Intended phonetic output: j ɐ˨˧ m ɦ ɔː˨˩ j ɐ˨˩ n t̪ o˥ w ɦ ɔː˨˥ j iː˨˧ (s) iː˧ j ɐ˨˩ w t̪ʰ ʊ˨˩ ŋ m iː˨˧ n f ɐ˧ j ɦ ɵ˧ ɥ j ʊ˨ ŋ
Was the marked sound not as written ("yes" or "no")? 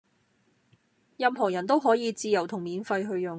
yes